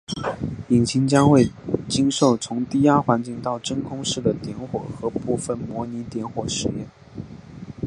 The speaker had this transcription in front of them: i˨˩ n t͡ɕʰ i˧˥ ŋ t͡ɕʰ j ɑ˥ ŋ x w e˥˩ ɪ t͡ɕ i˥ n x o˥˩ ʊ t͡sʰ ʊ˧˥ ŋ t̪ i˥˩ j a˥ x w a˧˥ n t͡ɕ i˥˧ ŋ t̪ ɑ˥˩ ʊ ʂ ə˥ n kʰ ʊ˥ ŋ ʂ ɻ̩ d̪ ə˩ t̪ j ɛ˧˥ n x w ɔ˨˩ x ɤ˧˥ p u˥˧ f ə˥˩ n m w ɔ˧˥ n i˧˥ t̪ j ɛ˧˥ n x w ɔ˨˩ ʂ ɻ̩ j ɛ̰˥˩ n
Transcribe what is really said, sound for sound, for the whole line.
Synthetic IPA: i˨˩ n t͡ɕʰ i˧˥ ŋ t͡ɕ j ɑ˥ ŋ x w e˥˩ ɪ t͡ɕ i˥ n ʂ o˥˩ ʊ t͡sʰ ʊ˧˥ ŋ t̪ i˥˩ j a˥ x w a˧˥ n t͡ɕ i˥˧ ŋ t̪ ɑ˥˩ ʊ ʈ͡ʂ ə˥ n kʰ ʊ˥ ŋ ʂ ɻ̩ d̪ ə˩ t̪ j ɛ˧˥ n x w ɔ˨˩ x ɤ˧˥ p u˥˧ f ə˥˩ n m w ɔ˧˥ n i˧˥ t̪ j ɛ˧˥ n x w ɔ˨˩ ʂ ɻ̩ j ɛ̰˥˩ n